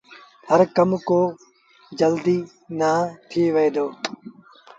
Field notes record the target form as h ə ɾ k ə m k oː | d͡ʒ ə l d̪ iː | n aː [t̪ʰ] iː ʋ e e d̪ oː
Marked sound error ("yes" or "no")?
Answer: no